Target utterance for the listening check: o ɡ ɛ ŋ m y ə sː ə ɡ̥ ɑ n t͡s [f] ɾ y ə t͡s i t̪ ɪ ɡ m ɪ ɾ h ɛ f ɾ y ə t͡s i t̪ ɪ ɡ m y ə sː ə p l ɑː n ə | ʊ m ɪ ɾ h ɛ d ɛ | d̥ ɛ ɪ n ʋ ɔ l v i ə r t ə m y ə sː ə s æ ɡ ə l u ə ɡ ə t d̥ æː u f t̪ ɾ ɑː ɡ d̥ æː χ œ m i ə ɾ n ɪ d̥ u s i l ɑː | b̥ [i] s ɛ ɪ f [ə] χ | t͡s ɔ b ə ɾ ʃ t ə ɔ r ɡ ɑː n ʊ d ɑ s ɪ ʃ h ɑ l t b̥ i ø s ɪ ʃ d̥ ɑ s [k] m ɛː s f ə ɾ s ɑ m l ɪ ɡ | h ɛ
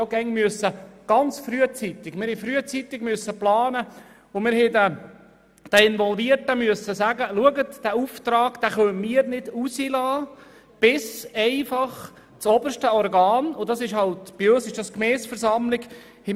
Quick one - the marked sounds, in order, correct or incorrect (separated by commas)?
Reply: correct, incorrect, incorrect, correct